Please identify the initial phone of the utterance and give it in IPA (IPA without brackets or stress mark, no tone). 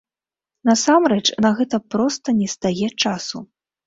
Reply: n